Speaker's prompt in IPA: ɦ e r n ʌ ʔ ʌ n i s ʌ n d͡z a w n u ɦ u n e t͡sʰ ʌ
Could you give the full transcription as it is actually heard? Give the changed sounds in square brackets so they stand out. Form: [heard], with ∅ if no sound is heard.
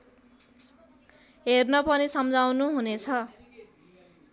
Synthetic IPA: ɦ e r n ʌ [p] ʌ n i s ʌ [m] d͡z a w n u ɦ u n e t͡sʰ ʌ